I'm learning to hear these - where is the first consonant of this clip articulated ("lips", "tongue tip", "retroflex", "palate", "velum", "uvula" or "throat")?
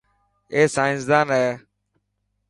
tongue tip